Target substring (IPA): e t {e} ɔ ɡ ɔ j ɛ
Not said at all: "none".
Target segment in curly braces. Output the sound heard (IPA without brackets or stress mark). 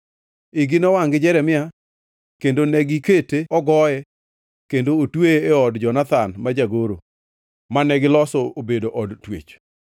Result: e